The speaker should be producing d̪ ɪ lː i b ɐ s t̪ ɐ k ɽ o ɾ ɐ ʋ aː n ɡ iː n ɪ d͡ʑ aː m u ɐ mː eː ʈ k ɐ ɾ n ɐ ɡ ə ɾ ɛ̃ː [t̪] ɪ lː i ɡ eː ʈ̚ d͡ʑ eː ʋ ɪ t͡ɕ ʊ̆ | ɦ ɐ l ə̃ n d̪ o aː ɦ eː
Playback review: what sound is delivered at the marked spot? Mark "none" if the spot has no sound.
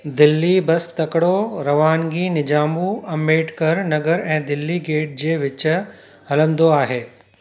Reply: d̪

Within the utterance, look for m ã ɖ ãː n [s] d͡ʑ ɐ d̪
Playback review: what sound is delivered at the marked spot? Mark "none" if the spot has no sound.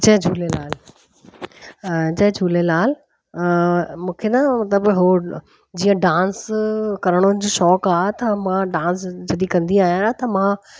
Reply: s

